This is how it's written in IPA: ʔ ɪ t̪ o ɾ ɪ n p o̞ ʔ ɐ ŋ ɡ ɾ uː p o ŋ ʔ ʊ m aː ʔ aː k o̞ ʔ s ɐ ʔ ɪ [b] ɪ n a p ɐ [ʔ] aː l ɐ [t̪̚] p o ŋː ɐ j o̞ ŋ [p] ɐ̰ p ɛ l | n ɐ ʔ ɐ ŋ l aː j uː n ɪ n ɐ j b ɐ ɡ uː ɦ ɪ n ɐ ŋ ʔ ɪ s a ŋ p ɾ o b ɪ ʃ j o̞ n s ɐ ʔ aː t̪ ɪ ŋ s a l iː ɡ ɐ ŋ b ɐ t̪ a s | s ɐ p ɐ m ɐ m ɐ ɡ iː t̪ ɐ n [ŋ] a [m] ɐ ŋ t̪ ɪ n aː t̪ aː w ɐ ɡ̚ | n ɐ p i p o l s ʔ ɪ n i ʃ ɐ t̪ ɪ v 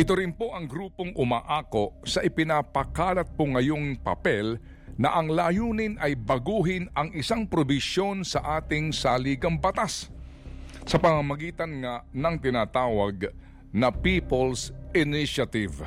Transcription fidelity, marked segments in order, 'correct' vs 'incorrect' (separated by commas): incorrect, incorrect, correct, correct, correct, incorrect